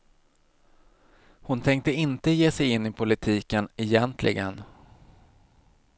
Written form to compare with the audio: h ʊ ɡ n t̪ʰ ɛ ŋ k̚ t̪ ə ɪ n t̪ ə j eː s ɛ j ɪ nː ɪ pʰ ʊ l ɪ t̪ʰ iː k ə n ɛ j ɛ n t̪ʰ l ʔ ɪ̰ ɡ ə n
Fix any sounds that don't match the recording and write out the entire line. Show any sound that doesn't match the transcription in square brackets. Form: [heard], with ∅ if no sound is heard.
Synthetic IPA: h ʊ [∅] n t̪ʰ ɛ ŋ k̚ t̪ ə ɪ n t̪ ə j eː s ɛ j ɪ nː ɪ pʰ ʊ l ɪ t̪ʰ iː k ə n ɛ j ɛ n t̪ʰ l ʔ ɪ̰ ɡ ə n